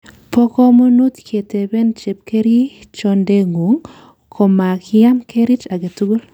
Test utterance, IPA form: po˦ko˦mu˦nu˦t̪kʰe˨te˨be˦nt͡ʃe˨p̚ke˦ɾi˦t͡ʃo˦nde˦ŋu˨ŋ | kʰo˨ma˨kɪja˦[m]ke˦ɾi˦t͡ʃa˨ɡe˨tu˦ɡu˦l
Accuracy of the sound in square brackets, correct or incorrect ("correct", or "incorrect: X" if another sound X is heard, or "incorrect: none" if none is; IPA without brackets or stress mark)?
correct